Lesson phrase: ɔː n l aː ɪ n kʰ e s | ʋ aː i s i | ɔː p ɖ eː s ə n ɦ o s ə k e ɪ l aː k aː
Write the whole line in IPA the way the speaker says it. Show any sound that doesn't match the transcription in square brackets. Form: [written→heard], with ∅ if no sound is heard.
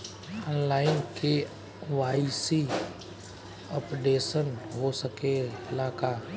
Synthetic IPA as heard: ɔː n l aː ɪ n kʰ e [s→∅] | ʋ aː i s i | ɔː p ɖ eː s ə n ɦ o s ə k e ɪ l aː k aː